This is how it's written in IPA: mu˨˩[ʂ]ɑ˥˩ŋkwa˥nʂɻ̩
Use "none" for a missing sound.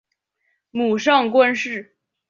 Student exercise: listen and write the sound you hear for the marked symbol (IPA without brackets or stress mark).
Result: ʂ